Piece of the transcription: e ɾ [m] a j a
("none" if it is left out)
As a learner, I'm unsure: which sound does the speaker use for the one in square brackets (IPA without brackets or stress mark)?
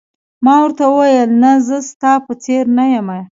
n